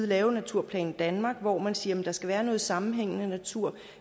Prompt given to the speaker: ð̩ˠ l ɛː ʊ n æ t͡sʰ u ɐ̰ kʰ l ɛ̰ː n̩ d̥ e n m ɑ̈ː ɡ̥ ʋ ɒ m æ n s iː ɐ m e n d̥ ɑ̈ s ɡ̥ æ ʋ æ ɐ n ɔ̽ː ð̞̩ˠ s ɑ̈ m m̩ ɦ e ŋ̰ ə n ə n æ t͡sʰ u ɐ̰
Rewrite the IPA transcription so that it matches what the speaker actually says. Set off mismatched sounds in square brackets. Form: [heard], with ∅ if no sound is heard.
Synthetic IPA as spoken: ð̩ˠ l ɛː ʊ n æ t͡sʰ u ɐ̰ [pʰ] l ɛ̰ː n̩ d̥ [æ] n m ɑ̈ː ɡ̥ ʋ ɒ m æ n s iː ɐ m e n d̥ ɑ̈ s ɡ̥ æ ʋ [æː] ɐ n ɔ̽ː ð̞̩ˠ s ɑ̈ m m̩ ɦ e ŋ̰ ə n ə n æ t͡sʰ u ɐ̰